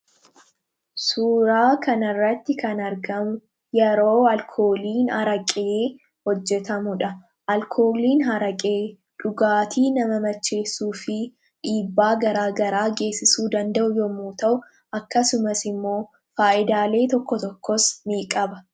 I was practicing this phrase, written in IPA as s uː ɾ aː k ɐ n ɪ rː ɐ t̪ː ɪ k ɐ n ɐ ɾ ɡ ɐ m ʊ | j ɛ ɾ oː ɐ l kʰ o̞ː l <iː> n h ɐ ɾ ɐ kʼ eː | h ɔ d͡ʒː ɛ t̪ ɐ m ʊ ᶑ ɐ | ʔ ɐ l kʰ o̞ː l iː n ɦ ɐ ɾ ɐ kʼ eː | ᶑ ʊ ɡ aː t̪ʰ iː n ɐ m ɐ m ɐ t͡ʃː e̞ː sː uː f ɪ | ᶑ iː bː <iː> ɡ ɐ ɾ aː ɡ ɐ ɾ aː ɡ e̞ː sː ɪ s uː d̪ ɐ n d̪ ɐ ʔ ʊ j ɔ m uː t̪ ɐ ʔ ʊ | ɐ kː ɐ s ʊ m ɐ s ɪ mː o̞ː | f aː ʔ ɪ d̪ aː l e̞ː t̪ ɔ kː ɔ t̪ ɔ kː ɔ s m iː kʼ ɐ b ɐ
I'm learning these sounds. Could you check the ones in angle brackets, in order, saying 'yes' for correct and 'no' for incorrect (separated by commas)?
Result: yes, no